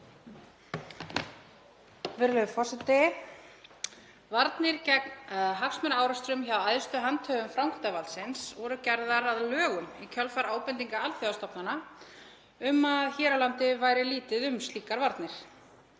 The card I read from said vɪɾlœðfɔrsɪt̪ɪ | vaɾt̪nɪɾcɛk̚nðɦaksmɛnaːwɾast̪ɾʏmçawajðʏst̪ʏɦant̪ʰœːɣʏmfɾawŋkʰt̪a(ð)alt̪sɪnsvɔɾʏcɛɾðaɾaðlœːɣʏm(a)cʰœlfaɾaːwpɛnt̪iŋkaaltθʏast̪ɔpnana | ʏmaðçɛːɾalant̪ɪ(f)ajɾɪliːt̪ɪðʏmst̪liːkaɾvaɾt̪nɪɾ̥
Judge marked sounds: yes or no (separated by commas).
no, no, no